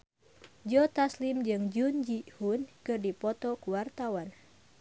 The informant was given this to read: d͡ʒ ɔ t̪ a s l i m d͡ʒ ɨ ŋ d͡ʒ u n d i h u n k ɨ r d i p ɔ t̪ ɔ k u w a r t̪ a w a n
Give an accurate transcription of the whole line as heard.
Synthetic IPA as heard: d͡ʒ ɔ t̪ a s l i m d͡ʒ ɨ ŋ d͡ʒ u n d͡ʒ i h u n k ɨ r d i p ɔ t̪ ɔ k u w a r t̪ a w a n